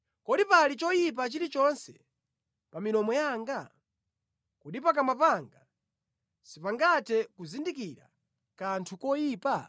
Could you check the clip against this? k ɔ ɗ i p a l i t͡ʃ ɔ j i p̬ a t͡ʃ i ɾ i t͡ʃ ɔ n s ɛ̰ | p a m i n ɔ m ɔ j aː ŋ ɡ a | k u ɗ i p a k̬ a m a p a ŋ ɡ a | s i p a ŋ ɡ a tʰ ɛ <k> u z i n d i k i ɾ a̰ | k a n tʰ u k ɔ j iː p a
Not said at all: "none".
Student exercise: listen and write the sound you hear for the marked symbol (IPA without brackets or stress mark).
k